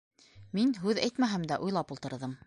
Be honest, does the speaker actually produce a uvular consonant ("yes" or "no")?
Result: no